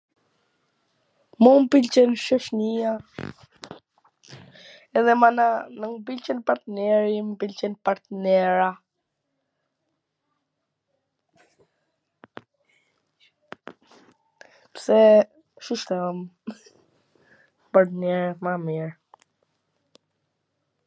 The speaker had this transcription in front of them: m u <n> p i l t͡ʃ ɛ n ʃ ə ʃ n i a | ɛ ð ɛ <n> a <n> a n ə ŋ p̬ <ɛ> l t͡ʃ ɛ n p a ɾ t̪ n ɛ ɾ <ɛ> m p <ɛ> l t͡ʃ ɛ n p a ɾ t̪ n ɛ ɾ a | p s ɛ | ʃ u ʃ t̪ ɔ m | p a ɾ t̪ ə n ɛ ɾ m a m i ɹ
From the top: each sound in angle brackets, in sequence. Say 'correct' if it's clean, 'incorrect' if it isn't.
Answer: incorrect: m, incorrect: m, correct, incorrect: i, incorrect: i, incorrect: i

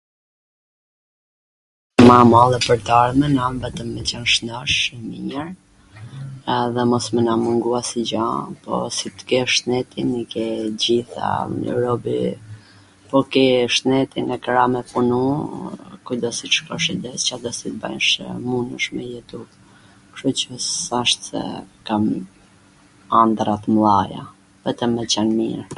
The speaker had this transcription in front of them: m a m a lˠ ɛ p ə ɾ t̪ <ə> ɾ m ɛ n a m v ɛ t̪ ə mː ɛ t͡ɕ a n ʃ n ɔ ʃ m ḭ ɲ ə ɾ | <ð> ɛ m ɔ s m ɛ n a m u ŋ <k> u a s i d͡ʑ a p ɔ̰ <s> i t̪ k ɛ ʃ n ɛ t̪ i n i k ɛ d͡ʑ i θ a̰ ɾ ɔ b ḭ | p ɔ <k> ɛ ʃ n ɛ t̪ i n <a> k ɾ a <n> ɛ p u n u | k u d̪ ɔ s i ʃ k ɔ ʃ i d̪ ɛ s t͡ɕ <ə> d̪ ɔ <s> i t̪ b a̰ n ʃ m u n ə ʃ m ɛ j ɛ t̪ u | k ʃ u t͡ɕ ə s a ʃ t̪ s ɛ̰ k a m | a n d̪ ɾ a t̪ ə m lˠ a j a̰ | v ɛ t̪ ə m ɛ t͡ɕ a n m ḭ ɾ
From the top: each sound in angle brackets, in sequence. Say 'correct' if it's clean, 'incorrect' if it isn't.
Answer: incorrect: a, correct, incorrect: ɡ, correct, correct, incorrect: ɛ, incorrect: m, incorrect: a, correct

